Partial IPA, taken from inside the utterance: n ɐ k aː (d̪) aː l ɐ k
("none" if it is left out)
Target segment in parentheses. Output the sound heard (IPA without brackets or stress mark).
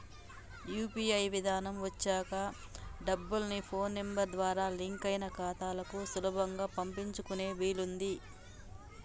t̪